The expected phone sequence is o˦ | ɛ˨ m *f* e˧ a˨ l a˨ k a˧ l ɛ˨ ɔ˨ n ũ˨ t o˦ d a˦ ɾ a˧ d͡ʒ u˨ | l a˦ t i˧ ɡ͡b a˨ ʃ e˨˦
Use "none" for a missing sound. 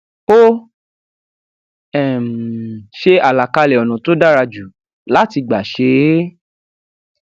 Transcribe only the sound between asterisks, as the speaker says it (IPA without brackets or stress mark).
ʃ